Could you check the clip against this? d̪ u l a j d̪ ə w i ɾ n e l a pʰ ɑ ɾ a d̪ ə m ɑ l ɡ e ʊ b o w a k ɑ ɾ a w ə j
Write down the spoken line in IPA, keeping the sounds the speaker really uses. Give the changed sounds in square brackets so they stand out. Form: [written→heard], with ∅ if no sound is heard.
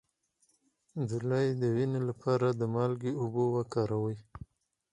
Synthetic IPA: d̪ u l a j d̪ ə w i [ɾ→∅] n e l a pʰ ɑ ɾ a d̪ ə m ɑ l ɡ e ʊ b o w a k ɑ ɾ a w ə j